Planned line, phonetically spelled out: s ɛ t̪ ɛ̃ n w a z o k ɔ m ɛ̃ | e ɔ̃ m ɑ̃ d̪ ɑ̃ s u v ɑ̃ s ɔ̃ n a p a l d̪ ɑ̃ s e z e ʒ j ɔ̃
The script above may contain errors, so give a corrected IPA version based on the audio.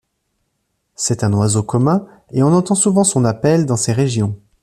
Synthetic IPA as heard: s ɛ t̪ ɛ̃ n w a z o k ɔ m ɛ̃ | e ɔ̃ n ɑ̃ t̪ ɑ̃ s u v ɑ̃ s ɔ̃ n a p ɛ l d̪ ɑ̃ s e ʁ e ʒ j ɔ̃